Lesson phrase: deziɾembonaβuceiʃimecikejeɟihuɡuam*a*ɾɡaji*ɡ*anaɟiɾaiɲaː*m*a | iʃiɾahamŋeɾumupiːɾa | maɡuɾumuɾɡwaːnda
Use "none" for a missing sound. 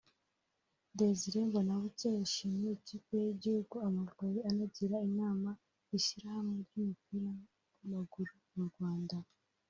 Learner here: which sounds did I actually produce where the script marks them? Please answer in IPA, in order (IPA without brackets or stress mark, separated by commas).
a, none, m